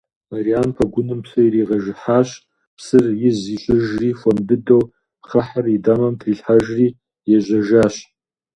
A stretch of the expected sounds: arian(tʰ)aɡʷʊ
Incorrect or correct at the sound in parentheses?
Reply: incorrect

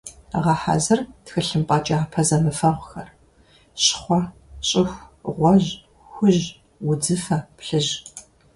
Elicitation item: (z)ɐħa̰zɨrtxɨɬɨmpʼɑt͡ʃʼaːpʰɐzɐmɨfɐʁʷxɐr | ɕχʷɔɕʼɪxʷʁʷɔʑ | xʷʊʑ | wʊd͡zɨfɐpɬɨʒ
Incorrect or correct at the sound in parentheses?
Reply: incorrect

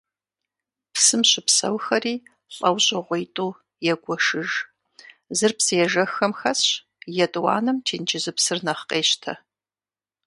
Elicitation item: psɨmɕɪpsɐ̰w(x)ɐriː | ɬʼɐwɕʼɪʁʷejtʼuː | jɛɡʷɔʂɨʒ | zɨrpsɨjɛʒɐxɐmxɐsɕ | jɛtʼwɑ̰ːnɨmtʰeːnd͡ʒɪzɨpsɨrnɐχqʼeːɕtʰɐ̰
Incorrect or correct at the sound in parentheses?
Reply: correct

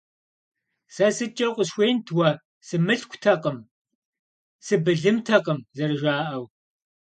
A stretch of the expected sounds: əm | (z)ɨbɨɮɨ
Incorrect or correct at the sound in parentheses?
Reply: incorrect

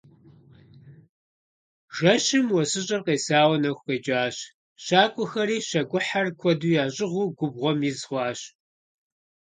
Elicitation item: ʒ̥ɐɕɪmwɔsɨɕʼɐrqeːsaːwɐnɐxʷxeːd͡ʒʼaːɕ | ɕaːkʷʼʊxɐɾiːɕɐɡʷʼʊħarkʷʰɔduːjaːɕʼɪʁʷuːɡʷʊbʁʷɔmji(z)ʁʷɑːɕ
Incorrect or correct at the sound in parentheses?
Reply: correct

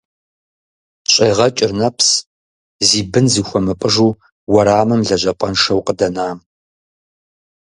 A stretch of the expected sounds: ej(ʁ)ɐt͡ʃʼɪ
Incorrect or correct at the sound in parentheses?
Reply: correct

